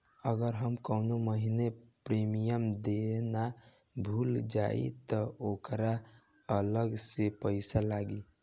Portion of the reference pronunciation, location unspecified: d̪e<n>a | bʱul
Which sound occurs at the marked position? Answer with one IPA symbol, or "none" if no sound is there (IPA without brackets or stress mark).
n